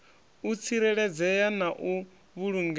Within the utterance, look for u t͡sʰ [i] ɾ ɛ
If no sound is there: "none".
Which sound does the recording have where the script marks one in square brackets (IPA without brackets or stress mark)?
i